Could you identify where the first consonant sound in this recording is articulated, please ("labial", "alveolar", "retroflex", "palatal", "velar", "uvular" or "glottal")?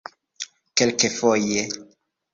velar